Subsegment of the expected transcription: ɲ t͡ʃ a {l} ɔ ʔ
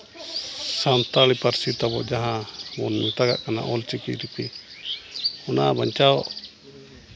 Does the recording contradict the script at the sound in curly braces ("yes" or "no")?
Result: yes